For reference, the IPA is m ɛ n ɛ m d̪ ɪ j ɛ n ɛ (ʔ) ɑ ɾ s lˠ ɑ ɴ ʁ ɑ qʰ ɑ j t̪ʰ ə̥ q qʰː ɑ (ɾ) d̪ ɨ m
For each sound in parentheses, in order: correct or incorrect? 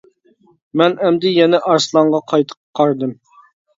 correct, correct

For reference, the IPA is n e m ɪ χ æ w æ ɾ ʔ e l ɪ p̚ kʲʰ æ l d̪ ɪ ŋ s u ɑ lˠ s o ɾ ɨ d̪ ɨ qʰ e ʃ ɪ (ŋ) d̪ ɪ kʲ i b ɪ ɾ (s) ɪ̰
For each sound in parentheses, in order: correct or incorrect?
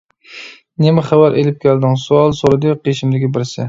incorrect: m, correct

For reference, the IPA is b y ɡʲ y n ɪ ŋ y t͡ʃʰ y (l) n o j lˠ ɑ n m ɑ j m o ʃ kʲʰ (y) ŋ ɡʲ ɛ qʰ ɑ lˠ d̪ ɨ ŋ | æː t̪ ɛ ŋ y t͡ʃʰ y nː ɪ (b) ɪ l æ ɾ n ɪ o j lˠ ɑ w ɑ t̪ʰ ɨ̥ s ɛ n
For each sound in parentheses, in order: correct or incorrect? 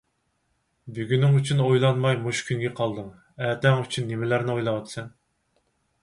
incorrect: none, correct, incorrect: m

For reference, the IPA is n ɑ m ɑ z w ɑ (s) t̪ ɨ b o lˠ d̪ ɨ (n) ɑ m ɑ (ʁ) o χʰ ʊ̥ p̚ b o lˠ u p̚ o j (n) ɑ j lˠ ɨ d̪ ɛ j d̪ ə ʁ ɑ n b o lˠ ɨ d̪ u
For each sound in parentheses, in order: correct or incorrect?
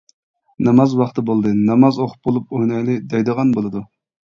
incorrect: χ, correct, incorrect: z, correct

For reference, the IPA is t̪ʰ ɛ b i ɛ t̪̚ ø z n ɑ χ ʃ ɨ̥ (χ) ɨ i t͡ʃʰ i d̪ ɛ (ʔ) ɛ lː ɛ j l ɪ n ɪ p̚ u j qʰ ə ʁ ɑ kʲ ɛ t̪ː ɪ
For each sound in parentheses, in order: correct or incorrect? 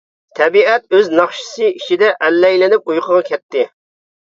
incorrect: s, correct

